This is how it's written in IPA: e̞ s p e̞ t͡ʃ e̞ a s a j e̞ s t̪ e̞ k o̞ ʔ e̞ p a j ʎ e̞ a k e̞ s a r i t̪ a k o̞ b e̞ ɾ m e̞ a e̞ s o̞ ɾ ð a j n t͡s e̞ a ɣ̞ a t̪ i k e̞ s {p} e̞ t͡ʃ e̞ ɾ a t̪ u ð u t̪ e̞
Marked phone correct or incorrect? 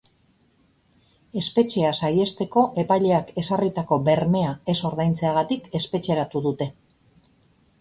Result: correct